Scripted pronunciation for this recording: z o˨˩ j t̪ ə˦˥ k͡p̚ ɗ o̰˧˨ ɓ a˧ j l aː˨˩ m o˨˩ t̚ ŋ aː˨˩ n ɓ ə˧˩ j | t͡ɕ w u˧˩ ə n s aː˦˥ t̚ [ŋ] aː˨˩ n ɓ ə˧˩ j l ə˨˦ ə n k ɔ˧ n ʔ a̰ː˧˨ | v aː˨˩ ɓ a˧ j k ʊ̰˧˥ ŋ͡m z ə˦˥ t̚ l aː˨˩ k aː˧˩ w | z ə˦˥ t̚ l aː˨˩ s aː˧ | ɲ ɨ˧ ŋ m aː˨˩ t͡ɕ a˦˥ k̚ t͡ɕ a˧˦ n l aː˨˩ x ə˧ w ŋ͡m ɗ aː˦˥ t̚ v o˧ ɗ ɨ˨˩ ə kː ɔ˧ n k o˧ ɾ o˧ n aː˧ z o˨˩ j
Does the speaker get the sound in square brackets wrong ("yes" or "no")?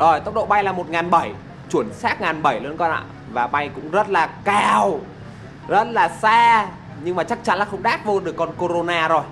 no